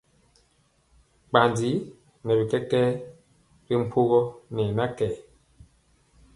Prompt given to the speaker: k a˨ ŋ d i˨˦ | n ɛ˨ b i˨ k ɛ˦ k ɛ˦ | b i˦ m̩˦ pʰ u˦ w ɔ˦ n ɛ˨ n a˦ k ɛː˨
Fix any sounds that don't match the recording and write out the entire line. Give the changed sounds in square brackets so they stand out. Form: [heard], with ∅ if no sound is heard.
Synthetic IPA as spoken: [k͡p] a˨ [n] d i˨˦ | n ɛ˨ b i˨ k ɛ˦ k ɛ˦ | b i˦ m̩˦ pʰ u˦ [ɣ] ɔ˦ n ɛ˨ n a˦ k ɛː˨